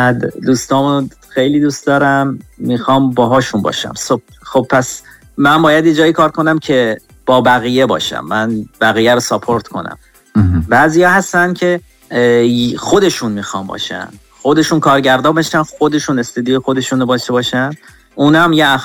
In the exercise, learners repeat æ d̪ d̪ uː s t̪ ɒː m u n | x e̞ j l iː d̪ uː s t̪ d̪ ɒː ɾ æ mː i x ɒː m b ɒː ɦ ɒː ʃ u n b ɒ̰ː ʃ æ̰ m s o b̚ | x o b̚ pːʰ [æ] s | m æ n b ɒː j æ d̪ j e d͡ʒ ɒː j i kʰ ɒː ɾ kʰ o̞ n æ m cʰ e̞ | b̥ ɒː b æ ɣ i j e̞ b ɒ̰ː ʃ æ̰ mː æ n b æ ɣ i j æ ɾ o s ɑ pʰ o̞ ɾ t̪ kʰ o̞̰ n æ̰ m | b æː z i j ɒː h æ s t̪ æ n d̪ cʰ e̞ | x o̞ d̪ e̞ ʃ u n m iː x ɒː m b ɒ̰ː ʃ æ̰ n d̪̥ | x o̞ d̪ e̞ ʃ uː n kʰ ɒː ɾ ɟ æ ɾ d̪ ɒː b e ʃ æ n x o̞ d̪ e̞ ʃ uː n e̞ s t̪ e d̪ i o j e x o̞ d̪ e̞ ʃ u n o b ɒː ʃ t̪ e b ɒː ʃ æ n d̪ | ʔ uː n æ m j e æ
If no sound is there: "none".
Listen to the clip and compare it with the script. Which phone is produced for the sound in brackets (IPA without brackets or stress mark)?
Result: æ